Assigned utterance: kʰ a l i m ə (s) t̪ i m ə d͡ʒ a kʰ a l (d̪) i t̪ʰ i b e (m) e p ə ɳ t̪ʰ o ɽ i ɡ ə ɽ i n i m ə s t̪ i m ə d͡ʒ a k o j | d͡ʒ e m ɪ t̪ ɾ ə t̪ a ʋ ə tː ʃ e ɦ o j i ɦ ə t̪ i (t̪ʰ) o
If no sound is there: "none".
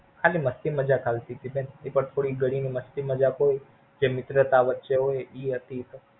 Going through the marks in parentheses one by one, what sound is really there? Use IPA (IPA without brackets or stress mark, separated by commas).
s, t̪, n, t̪